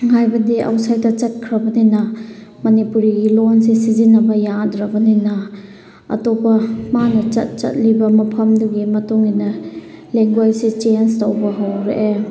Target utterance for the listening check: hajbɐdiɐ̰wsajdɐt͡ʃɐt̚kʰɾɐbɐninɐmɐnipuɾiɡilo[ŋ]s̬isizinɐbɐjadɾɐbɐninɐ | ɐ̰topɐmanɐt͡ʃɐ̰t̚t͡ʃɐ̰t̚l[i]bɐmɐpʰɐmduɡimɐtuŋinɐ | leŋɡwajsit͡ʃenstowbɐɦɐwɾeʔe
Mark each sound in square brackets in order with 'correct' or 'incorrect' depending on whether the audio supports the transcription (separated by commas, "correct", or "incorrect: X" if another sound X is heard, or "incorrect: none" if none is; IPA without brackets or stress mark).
incorrect: n, correct